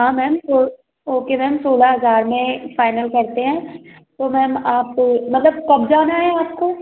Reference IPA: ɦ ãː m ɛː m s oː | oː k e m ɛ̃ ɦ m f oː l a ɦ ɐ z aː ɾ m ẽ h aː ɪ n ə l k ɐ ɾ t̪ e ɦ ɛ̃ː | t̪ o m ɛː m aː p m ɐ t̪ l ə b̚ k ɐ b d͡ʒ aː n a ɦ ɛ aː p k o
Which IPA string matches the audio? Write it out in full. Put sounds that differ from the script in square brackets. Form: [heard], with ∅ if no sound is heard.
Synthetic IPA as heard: ɦ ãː m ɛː m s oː | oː k e m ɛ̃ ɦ m [s] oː l a ɦ ɐ z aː ɾ m ẽ [f] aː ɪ n ə l k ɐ ɾ t̪ e ɦ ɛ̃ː | t̪ o m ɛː m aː p m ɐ t̪ l ə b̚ k ɐ b d͡ʒ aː n a ɦ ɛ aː p k o

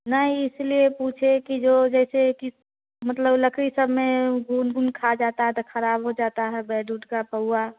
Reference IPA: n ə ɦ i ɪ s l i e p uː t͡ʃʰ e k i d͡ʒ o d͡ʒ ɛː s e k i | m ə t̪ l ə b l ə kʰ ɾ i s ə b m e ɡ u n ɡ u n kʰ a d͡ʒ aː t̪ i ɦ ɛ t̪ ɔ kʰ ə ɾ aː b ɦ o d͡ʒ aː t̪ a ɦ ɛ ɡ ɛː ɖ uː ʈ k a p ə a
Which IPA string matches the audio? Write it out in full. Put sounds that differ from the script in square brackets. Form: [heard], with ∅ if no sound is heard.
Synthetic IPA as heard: n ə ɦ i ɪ s l i e p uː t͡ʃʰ e k i d͡ʒ o d͡ʒ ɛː s e k i | m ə t̪ l ə b l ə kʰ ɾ i s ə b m e ɡ u n ɡ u n kʰ a d͡ʒ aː t̪ [a] ɦ ɛ t̪ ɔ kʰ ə ɾ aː b ɦ o d͡ʒ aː t̪ a ɦ ɛ [b] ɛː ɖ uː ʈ k a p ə a

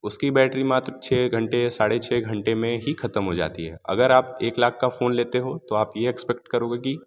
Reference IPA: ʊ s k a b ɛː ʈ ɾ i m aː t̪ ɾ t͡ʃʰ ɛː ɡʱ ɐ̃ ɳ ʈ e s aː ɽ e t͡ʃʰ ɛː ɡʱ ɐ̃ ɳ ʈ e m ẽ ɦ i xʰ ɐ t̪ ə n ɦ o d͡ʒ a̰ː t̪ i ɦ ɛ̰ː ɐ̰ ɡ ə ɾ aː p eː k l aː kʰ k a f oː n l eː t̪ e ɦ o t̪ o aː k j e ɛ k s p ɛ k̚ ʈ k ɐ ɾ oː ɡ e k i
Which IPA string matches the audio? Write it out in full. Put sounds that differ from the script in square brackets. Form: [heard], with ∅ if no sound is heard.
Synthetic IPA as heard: ʊ s k [i] b ɛː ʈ ɾ i m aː t̪ ɾ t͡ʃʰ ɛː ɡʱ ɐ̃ ɳ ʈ e s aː ɽ e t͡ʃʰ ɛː ɡʱ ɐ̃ ɳ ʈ e m ẽ ɦ i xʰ ɐ t̪ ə [m] ɦ o d͡ʒ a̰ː t̪ i ɦ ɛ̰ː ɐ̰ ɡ ə ɾ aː p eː k l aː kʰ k a f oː n l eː t̪ e ɦ o t̪ o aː [p] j e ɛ k s p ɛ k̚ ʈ k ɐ ɾ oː ɡ e k i

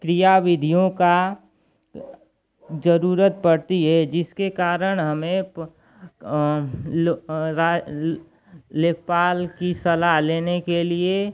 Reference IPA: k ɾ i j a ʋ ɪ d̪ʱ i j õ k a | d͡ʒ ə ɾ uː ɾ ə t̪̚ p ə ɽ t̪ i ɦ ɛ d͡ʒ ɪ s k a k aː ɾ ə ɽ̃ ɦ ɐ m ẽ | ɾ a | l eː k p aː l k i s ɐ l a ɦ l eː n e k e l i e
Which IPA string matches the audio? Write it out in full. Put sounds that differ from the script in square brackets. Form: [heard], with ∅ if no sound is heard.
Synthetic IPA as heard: k ɾ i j a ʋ ɪ d̪ʱ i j õ k a | d͡ʒ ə ɾ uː ɾ ə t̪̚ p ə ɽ t̪ i ɦ ɛ d͡ʒ ɪ s k [e] k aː ɾ ə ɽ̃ ɦ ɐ m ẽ | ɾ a | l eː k p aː l k i s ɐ l a ɦ l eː n e k e l i e

